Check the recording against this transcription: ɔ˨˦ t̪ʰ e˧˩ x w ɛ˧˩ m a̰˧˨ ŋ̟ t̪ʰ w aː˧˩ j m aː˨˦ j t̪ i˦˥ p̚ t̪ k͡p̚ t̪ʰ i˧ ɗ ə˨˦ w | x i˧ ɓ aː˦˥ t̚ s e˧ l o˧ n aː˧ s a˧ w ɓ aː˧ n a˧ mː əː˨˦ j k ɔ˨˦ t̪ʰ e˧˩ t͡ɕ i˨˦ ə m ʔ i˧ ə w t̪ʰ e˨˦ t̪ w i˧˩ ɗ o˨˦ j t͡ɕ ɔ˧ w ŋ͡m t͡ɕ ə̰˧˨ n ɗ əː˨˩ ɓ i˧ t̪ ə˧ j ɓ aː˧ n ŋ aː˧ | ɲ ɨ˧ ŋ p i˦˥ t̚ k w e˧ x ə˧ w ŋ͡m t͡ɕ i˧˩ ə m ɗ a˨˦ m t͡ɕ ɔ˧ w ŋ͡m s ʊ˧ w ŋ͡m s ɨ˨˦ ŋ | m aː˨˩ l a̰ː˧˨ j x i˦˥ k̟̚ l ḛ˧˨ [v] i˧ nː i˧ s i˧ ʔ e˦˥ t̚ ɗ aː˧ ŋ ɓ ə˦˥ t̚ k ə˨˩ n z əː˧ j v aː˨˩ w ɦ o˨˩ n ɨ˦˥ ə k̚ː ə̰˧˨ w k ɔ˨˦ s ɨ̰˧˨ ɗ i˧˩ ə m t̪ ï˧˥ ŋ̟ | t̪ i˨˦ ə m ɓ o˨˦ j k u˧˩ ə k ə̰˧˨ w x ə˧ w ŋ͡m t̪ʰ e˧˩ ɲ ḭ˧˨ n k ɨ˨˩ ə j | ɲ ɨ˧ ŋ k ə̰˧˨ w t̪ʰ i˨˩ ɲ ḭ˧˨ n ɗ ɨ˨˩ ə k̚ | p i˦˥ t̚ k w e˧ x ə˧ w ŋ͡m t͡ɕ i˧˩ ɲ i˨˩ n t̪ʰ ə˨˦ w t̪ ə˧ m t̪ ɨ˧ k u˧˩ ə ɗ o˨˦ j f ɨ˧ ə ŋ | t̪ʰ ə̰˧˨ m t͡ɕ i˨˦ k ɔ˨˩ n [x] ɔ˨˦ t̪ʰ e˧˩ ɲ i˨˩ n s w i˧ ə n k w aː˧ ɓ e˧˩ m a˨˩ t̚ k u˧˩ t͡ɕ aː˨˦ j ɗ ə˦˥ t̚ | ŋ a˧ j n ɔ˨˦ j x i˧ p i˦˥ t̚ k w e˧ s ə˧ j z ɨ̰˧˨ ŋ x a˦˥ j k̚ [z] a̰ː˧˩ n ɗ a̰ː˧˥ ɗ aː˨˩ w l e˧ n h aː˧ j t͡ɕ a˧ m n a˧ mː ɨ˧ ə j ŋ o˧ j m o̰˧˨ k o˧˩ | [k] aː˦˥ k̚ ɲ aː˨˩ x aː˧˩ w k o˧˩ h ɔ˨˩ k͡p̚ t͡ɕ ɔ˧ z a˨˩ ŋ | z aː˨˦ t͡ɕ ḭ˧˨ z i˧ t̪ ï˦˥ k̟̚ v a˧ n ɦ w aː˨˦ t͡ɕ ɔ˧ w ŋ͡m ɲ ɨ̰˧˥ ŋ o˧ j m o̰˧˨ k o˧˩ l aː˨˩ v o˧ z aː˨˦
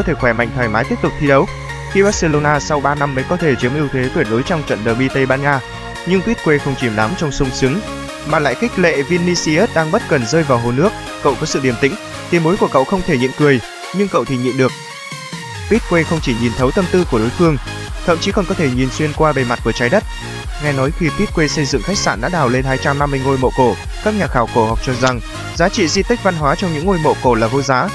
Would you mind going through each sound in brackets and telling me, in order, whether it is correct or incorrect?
correct, incorrect: k, incorrect: s, correct

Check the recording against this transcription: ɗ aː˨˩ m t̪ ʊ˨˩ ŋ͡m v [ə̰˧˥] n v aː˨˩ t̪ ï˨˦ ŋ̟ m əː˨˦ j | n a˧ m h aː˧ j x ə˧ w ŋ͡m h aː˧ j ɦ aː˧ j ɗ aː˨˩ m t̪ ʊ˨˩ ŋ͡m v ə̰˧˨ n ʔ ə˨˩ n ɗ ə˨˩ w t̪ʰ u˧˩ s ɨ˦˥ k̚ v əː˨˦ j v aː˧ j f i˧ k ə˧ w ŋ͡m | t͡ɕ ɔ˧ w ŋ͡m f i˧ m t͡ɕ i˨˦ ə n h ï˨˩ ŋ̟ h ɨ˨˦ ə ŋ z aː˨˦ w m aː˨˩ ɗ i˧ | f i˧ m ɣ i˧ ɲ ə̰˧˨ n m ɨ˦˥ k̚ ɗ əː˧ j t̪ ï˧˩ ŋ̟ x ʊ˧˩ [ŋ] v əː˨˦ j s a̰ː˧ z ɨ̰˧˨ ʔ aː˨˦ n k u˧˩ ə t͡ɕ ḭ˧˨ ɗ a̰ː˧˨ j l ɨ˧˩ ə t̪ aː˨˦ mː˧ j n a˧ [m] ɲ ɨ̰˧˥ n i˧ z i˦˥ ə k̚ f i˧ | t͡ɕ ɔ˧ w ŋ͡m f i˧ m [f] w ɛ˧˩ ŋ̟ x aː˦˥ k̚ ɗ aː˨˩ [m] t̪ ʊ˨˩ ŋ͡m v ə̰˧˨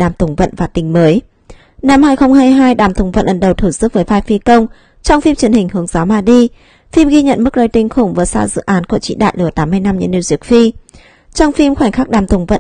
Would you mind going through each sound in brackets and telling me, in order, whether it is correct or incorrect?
incorrect: ə̰˧˨, incorrect: ŋ͡m, correct, incorrect: x, correct

